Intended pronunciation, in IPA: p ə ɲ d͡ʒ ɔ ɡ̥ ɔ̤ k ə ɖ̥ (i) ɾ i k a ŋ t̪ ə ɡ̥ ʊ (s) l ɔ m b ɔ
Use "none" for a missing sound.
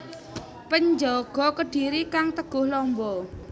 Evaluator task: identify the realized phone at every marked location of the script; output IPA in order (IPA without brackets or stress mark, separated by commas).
i, h